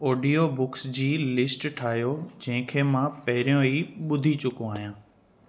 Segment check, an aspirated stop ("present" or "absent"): present